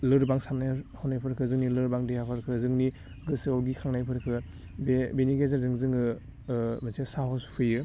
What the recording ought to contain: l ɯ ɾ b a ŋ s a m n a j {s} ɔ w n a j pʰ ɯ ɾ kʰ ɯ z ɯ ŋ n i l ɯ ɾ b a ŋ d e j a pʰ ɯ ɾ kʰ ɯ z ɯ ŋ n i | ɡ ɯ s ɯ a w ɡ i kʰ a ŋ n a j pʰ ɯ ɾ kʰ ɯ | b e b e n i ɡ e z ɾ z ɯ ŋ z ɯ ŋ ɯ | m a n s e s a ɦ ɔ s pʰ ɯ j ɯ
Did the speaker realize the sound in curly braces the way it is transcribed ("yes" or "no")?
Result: no